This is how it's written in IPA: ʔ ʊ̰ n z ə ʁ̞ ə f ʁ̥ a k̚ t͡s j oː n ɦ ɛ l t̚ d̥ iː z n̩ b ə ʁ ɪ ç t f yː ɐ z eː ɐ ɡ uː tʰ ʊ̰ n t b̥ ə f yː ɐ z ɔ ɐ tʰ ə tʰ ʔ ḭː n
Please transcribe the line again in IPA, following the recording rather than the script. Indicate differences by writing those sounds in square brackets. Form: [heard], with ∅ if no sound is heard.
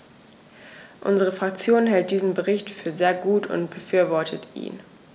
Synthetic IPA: ʔ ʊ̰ n z ə ʁ̞ ə f ʁ̥ a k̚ t͡s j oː n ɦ ɛ l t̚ d̥ iː z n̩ b ə ʁ ɪ ç t f yː ɐ z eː ɐ ɡ uː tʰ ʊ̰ n t b̥ ə f yː ɐ [v] ɔ ɐ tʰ ə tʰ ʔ ḭː n